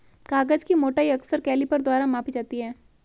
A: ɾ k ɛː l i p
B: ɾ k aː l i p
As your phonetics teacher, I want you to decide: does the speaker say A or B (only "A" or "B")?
A